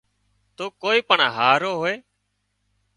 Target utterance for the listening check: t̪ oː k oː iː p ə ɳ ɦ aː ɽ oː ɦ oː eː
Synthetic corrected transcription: t̪ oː k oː iː p ə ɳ ɦ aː ɾ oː ɦ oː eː